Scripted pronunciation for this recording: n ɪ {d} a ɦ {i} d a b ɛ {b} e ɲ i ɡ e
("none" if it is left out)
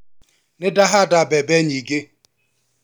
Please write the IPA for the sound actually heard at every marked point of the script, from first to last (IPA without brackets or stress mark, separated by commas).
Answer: d, a, b